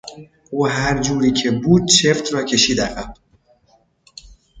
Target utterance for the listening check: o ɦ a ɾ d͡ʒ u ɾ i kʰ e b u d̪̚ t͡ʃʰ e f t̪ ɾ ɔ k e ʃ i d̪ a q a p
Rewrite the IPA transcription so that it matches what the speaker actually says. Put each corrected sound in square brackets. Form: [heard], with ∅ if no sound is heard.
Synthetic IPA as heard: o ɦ a ɾ d͡ʒ u ɾ i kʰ e b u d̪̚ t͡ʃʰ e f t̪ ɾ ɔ k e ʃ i d̪ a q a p